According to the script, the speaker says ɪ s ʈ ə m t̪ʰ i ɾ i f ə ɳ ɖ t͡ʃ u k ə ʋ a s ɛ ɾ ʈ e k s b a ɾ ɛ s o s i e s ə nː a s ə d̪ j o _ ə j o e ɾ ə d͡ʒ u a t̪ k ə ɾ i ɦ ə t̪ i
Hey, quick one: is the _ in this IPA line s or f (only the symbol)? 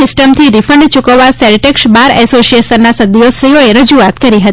s